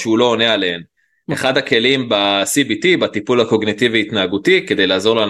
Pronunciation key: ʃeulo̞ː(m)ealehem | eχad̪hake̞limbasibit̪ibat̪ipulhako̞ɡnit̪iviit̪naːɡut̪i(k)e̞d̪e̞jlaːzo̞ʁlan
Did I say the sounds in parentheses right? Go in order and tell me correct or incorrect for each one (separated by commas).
incorrect, correct